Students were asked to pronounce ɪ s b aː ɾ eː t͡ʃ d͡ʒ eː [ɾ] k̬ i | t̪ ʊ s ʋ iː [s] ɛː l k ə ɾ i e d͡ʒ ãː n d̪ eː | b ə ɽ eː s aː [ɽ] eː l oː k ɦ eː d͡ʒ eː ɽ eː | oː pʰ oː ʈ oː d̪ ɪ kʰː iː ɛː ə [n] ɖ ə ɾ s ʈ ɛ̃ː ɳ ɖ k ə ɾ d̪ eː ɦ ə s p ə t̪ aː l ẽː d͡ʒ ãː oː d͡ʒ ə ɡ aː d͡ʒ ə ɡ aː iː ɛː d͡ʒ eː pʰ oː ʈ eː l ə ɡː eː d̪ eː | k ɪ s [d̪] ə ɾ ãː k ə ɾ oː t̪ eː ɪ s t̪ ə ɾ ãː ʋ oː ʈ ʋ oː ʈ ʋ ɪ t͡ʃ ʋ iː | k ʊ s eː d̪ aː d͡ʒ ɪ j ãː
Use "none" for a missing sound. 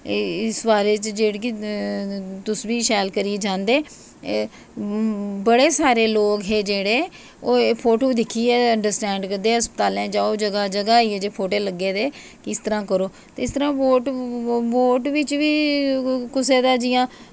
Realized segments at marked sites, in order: ɽ, ʃ, ɾ, ɳ, t̪

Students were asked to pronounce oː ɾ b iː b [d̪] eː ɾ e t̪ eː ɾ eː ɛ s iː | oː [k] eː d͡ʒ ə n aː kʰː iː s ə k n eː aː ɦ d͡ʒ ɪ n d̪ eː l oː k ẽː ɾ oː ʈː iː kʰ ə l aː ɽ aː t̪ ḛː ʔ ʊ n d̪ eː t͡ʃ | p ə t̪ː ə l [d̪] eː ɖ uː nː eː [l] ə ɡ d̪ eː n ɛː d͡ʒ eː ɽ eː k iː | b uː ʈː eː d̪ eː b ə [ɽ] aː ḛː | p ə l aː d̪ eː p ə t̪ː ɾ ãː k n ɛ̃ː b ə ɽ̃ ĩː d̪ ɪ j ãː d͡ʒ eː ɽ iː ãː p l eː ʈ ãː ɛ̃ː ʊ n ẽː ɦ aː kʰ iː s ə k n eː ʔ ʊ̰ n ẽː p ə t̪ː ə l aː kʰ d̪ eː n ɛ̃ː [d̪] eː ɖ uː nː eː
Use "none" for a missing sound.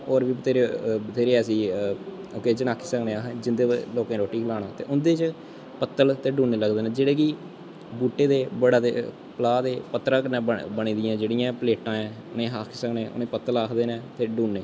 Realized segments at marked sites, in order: t̪, k, t̪, l, ɽ, t̪

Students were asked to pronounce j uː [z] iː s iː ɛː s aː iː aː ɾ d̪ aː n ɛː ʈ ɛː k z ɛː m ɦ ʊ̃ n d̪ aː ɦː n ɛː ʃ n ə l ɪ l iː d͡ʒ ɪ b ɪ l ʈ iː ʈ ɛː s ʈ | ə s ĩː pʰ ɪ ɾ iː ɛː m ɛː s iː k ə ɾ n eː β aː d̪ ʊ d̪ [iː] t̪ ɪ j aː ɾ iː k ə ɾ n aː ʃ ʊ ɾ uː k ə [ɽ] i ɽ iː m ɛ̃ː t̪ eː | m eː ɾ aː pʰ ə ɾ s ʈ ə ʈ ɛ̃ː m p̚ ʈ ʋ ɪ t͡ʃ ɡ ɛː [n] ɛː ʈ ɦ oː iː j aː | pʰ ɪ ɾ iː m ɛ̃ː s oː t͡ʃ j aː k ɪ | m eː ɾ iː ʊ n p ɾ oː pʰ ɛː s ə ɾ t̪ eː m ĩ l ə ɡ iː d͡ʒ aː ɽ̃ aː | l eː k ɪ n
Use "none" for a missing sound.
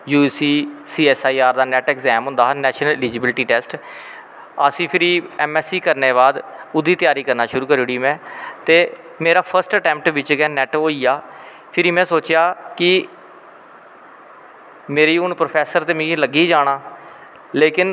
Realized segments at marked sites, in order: s, iː, ɾ, n

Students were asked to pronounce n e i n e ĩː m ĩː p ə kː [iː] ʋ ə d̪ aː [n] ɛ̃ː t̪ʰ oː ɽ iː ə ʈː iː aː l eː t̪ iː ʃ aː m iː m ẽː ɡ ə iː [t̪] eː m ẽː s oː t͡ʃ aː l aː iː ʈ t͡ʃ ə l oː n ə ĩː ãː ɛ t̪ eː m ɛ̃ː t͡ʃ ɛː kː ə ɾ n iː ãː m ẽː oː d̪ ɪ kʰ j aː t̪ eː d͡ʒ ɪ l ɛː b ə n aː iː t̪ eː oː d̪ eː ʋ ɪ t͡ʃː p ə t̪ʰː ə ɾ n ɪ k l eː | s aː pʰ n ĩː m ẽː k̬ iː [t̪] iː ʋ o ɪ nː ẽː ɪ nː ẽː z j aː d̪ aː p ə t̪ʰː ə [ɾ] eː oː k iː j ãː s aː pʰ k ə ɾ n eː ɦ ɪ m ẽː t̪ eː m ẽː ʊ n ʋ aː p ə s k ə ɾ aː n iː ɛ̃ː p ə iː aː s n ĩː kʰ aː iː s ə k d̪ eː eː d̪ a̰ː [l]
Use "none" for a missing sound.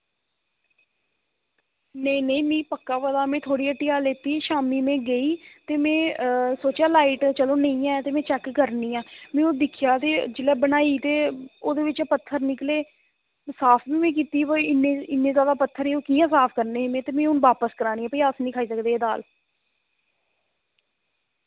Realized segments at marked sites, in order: aː, m, t̪, t̪, ɾ, l

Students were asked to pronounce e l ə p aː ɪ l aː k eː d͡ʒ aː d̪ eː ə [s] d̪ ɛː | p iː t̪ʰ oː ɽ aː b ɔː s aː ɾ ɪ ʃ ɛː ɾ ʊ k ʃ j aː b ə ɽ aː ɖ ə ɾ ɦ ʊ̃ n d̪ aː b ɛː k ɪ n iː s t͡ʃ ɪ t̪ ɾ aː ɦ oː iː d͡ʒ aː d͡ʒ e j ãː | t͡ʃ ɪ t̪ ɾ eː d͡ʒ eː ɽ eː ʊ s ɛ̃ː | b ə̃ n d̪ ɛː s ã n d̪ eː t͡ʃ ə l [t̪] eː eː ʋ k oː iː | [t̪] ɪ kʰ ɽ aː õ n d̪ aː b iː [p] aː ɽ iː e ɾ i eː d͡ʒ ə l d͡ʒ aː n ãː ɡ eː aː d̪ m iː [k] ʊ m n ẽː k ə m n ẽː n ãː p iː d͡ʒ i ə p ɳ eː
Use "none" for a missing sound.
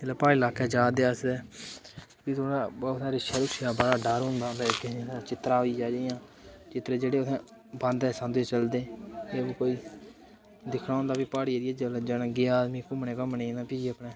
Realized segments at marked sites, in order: s, d̪, d̪, p, k

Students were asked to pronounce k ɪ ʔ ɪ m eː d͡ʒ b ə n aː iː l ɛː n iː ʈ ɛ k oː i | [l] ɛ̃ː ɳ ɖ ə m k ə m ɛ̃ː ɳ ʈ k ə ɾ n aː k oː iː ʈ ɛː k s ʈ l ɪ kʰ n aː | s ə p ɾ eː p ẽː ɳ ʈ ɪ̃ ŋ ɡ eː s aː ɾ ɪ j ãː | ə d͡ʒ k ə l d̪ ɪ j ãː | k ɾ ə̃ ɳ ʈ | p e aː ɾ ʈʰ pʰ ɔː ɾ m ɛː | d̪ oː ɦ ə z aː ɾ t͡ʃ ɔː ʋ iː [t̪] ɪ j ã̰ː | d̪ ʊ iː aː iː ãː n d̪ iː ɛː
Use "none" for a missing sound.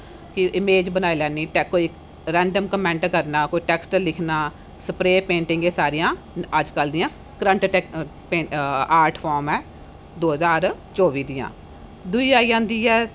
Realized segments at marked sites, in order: ɾ, d̪

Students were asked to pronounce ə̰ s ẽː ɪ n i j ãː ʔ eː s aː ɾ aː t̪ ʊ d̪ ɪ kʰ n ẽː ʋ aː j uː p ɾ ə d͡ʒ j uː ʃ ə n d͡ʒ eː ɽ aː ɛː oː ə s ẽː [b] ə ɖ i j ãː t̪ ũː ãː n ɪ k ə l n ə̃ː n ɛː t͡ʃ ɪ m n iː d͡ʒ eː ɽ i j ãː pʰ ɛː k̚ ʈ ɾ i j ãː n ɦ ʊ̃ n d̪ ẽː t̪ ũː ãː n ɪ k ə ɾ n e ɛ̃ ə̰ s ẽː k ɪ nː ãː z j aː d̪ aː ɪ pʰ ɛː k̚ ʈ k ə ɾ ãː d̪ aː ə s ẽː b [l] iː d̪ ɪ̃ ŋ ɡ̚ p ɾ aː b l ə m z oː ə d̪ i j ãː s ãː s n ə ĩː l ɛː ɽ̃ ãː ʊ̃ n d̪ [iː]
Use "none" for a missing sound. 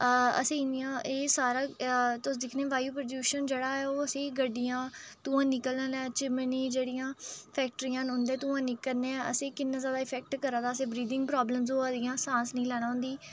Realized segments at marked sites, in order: ɡ, ɾ, iː

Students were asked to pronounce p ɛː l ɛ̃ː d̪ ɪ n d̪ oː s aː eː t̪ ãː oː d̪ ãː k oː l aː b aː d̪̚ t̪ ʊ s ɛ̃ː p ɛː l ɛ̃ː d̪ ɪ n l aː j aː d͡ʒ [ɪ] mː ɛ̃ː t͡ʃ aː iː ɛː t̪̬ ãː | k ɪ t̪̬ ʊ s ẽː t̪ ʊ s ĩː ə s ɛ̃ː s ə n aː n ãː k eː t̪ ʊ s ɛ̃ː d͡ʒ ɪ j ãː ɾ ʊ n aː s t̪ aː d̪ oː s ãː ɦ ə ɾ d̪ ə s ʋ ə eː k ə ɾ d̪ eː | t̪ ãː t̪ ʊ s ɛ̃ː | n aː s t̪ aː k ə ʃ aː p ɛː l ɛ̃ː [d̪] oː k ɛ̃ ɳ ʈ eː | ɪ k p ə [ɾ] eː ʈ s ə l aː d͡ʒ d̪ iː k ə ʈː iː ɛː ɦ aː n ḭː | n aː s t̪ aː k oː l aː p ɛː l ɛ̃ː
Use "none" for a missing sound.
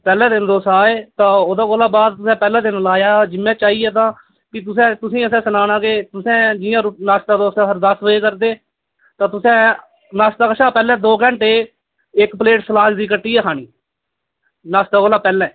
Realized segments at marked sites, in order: ɪ, d̪, l

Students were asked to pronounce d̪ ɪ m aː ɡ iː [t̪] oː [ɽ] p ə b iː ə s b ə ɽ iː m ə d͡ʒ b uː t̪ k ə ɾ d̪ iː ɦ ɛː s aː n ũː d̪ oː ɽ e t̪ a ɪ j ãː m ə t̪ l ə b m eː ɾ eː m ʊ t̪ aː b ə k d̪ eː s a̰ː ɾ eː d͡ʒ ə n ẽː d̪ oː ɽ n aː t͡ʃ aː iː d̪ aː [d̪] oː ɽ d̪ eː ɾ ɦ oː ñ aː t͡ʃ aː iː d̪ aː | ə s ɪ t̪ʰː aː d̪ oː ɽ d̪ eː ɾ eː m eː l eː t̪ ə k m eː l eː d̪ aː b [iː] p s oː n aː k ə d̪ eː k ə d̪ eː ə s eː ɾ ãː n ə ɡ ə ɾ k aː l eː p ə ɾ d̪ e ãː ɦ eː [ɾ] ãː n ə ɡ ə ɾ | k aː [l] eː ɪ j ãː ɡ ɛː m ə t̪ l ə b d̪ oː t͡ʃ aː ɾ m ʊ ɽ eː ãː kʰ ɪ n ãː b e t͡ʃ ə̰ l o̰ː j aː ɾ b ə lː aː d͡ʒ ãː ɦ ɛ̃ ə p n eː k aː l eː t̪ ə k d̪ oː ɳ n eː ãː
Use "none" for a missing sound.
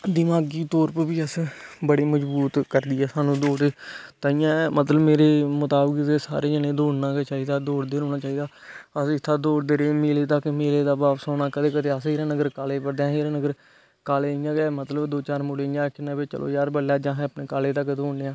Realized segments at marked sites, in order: t̪, ɾ, d̪, aː, ɾ, l

